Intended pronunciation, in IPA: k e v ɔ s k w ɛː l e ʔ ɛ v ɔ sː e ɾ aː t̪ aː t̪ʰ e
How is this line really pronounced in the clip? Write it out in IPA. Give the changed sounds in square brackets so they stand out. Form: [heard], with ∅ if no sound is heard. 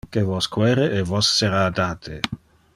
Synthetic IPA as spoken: k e v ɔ s k w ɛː [ɾ] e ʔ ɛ v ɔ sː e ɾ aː [d̪] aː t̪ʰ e